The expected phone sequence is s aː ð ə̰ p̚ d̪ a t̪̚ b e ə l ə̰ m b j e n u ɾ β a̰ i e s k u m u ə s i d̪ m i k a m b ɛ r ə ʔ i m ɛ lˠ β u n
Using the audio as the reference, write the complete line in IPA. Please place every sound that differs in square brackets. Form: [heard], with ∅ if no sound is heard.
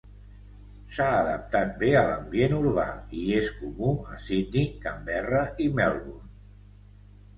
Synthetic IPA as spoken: s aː ð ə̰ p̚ [t̪] a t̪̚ b e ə l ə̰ m b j e n u ɾ β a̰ i e s k u m u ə s i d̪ [n] i k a m b ɛ r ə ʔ i m ɛ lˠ β u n